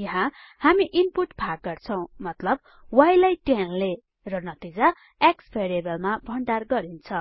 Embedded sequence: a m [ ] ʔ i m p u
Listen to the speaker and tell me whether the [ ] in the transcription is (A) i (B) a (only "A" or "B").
A